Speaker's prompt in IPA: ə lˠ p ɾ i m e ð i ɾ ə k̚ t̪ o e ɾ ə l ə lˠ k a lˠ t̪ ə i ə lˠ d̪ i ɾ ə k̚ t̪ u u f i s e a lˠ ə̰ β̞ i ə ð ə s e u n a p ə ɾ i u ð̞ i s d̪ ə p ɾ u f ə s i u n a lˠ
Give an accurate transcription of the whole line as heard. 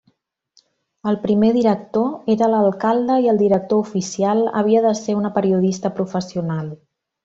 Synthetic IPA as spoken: ə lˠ p ɾ i m e ð i ɾ ə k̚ t̪ o e ɾ ə l ə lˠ k a lˠ d̪ ə i ə lˠ d̪ i ɾ ə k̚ t̪ o u f i s i a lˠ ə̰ β̞ i ə ð ə s e u n ə p ə ɾ i u ð̞ i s t̪ ə p ɾ u f ə s i u n a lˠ